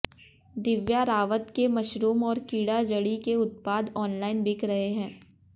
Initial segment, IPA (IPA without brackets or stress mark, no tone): d̪